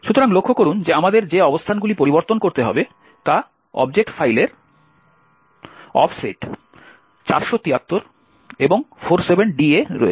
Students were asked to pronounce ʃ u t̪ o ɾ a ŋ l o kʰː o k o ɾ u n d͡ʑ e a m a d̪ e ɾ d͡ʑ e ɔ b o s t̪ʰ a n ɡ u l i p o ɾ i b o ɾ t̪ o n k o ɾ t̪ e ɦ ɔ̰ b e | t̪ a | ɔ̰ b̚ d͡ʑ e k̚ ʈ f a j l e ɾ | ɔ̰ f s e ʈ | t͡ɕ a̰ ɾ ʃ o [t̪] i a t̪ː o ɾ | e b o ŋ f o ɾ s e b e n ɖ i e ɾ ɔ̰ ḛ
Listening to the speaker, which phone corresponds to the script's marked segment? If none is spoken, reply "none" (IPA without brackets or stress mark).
t̪